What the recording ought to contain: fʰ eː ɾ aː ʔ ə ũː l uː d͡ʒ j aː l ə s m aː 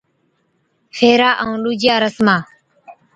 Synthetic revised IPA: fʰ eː ɾ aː ʔ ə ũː l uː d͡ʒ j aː ɾ ə s m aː